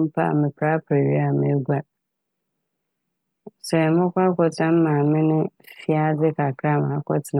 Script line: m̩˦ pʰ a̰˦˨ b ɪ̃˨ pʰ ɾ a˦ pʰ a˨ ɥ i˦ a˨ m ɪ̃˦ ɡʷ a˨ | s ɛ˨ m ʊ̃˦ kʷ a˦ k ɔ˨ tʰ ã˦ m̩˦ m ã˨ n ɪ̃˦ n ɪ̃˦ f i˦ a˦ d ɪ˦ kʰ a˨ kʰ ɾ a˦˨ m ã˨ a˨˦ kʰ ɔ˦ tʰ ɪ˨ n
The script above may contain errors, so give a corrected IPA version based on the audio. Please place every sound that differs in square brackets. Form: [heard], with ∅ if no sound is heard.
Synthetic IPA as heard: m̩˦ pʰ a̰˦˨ [m] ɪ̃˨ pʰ ɾ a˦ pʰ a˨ ɥ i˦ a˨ m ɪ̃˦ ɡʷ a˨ | s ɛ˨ m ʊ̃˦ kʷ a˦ k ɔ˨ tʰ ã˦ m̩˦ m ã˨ [m] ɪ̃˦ n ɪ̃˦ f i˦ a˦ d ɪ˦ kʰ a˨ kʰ ɾ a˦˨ m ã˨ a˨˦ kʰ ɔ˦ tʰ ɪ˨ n